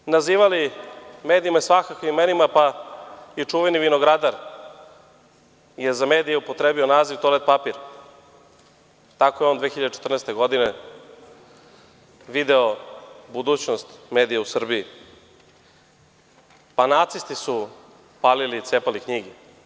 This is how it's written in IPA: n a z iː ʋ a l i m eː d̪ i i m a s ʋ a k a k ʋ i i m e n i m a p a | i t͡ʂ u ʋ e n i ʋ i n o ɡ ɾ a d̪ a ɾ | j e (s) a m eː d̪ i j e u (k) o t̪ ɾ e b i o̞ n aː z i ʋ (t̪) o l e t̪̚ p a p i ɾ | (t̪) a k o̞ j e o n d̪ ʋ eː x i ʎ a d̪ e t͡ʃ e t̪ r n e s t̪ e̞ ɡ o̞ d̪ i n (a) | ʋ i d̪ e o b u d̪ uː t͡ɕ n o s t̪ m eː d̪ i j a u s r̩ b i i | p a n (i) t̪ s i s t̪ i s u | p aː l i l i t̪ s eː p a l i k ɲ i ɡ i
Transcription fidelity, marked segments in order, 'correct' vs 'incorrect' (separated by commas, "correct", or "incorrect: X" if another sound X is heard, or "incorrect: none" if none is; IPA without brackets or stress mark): incorrect: z, incorrect: p, correct, correct, incorrect: e, incorrect: a